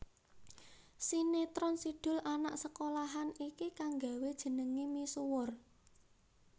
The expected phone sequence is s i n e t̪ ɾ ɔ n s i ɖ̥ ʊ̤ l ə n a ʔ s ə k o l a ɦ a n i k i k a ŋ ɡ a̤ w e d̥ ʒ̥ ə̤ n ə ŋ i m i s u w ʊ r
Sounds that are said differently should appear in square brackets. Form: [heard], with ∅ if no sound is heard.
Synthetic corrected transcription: s i n e t̪ ɾ ɔ n s i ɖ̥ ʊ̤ l [a] n a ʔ s ə k o l a ɦ a n i k i k a ŋ ɡ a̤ w e d̥ ʒ̥ ə̤ n ə ŋ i m i s u w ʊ r

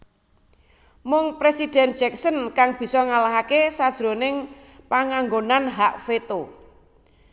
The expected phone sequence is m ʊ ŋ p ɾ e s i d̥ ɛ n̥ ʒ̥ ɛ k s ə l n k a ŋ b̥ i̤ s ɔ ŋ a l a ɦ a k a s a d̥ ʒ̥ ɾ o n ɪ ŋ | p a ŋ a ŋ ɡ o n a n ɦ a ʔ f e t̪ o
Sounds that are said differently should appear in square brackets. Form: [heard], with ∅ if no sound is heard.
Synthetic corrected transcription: m ʊ ŋ p ɾ e s i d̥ ɛ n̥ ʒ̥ ɛ k s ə [∅] n k a ŋ b̥ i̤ s ɔ ŋ a l a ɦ a k [e] s a d̥ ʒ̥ ɾ o n ɪ ŋ | p a ŋ a ŋ ɡ o n a n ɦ a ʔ f e t̪ o

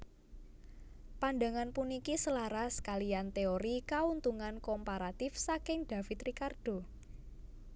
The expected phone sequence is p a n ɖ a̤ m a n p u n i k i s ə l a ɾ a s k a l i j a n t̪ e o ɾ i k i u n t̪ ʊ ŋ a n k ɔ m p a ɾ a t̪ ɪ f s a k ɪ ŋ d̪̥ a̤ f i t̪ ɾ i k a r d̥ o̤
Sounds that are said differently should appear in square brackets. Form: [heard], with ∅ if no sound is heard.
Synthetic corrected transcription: p a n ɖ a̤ [ŋ] a n p u n i k i s ə l a ɾ a s k a l i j a n t̪ e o ɾ i k [a] u n t̪ [u] ŋ a n k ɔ m p a ɾ a t̪ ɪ f s a k ɪ ŋ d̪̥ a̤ f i t̪ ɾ i k a r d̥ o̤

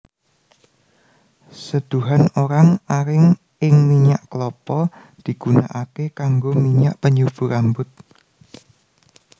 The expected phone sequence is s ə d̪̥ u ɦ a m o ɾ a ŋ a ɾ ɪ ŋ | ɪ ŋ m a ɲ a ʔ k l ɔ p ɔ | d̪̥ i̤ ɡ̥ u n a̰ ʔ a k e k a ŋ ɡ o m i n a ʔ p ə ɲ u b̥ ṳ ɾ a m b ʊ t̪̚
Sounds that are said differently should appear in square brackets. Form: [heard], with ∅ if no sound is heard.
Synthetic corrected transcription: s ə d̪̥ u ɦ a [n] o ɾ a ŋ a ɾ ɪ ŋ | ɪ ŋ m [i] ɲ a ʔ k l ɔ p ɔ | d̪̥ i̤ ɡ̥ u n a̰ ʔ a k e k a ŋ ɡ o m i [ɲ] a ʔ p ə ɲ u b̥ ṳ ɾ a m b ʊ t̪̚

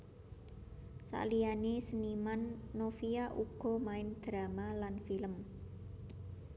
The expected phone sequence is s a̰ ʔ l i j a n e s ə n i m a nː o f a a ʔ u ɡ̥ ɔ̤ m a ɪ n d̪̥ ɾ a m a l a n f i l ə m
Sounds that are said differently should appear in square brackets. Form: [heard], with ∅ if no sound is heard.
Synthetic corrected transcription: s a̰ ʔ l i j a n e s ə n i m a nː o f [i] a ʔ u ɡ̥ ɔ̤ m a ɪ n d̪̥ ɾ a m a l a n f i l ə m

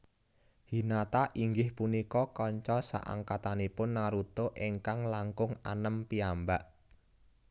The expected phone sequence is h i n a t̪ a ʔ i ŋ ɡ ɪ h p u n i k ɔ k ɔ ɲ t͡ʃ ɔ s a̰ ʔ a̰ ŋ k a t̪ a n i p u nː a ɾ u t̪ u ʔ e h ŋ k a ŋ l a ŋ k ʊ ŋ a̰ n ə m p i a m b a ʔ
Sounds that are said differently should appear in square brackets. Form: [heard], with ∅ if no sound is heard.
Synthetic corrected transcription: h i n a t̪ a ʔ i ŋ ɡ ɪ h p u n i k ɔ k ɔ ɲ t͡ʃ ɔ s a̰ ʔ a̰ ŋ k a t̪ a n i p [ʊ] nː a ɾ u t̪ [o] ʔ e [∅] ŋ k a ŋ l a ŋ k ʊ ŋ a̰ n ə m p i a m b a ʔ

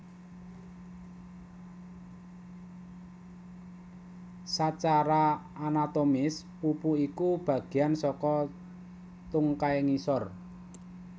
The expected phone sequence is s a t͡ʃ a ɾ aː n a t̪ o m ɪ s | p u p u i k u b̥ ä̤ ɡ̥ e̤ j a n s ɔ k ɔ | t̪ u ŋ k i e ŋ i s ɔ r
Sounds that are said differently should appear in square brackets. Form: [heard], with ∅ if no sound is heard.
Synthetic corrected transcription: s a t͡ʃ a ɾ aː n a t̪ o m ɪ s | p u p u i k u b̥ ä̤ ɡ̥ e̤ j a n s ɔ k ɔ | t̪ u ŋ k [a] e ŋ i s ɔ r

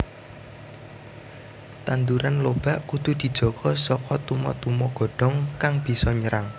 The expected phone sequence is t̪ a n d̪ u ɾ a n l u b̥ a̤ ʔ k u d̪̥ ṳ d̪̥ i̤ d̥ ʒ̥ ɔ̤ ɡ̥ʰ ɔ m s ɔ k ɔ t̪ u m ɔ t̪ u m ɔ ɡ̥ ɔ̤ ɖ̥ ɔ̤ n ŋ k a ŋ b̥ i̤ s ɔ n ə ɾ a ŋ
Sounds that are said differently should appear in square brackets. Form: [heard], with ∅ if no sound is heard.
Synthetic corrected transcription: t̪ a n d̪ u ɾ a n l [o] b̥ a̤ ʔ k u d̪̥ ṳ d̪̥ i̤ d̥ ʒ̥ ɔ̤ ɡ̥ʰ ɔ [∅] s ɔ k ɔ t̪ u m ɔ t̪ u m ɔ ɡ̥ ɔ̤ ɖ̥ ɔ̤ [∅] ŋ k a ŋ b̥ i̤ s ɔ [ɲ] ə ɾ a ŋ

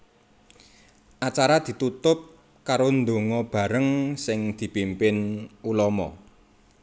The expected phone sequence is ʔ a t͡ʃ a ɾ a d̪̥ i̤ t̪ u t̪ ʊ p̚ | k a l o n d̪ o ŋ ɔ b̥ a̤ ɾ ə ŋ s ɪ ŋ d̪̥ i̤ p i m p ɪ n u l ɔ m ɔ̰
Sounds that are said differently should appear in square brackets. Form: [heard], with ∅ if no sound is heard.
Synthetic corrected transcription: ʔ a t͡ʃ a ɾ a d̪̥ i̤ t̪ u t̪ ʊ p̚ | k a [ɾ] o n d̪ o ŋ ɔ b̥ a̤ ɾ ə ŋ s ɪ ŋ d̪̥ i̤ p i m p ɪ n u l ɔ m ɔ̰

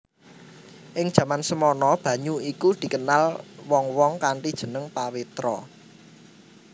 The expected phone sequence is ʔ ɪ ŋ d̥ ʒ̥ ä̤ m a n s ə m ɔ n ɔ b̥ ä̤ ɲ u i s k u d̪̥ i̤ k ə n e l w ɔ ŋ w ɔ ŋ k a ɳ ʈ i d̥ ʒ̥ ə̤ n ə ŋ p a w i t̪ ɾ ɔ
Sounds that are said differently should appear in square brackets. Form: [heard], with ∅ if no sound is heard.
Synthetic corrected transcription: ʔ ɪ ŋ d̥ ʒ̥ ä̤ m a n s ə m ɔ n ɔ b̥ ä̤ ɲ u i [∅] k u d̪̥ i̤ k ə n [a] l w ɔ ŋ w ɔ ŋ k a ɳ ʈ i d̥ ʒ̥ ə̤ n ə ŋ p a w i t̪ ɾ ɔ

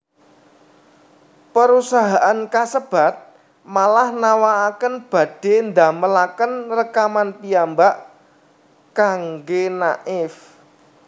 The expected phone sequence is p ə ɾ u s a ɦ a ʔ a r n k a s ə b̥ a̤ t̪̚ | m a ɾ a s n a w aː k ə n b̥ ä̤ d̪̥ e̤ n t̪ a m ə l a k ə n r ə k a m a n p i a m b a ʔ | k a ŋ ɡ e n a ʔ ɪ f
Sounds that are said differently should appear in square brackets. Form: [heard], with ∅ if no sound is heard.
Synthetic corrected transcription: p ə ɾ u s a ɦ a ʔ a [∅] n k a s ə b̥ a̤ t̪̚ | m a [l] a [h] n a w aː k ə n b̥ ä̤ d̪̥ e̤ n [d̪] a m ə l a k ə n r ə k a m a n p i a m b a ʔ | k a ŋ ɡ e n a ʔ ɪ f

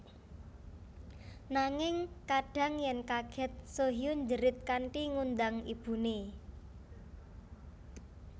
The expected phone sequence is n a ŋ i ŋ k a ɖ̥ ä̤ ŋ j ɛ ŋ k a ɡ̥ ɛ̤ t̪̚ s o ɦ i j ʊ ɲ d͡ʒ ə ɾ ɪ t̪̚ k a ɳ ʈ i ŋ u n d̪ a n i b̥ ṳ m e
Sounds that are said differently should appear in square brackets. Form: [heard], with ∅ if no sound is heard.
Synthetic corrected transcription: n a ŋ [ɪ] ŋ k a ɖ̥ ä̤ ŋ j ɛ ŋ k a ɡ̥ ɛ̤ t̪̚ s o ɦ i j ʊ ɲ d͡ʒ ə ɾ ɪ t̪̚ k a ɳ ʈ i ŋ u n d̪ a [ŋ] i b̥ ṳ [n] e

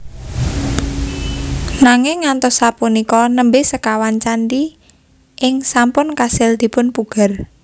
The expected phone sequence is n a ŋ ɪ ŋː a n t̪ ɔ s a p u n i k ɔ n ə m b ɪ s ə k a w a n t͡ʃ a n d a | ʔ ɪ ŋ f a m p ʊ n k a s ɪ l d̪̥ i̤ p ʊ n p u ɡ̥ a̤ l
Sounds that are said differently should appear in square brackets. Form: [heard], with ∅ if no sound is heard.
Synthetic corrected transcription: n a ŋ ɪ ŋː a n t̪ ɔ s a p u n i k ɔ n ə m b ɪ s ə k a w a n t͡ʃ a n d [i] | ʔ ɪ ŋ [s] a m p ʊ n k a s ɪ l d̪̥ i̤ p ʊ n p u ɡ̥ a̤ [r]

